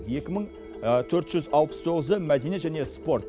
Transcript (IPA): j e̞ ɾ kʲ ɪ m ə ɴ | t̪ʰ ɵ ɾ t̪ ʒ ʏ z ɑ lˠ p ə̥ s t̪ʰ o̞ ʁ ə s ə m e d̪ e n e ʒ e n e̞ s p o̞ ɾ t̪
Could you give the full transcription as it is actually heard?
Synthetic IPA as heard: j e̞ kʲ ɪ m ə ɴ | t̪ʰ ɵ ɾ t̪ ʒ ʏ z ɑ lˠ p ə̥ s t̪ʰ o̞ ʁ ə z ə m æ d̪ e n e ʒ æ n e̞ s p o̞ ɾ t̪